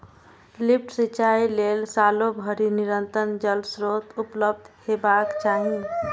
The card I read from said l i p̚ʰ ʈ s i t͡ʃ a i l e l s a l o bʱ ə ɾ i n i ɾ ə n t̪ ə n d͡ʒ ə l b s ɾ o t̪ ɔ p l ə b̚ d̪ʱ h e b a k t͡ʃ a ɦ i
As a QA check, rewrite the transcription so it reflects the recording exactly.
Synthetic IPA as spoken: l i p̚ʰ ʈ s i t͡ʃ a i l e l s a l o bʱ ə ɾ i n i ɾ ə n t̪ ə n d͡ʒ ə l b s ɾ o t̪ u p l ə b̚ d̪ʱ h e b a k t͡ʃ a ɦ i